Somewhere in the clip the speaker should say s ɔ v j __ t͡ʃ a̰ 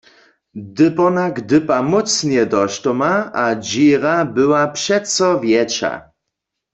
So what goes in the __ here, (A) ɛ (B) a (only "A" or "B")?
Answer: A